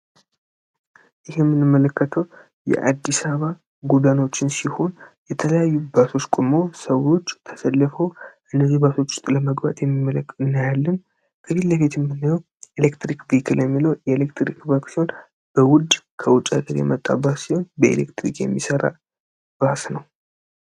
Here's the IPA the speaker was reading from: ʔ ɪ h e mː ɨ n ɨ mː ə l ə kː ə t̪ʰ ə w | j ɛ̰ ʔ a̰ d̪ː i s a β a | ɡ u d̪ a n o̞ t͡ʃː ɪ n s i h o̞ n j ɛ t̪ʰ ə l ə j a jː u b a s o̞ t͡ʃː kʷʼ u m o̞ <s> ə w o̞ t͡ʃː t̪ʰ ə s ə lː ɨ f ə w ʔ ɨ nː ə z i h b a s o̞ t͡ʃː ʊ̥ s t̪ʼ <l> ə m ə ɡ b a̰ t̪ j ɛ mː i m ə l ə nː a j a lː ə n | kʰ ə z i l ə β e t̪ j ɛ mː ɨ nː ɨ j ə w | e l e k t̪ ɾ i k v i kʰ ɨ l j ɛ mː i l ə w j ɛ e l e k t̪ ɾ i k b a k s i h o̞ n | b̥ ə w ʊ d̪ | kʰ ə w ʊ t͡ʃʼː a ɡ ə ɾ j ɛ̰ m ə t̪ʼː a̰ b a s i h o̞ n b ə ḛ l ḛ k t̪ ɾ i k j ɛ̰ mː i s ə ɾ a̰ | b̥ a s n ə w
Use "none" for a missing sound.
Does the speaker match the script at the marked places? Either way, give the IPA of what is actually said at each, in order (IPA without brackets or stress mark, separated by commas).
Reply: s, l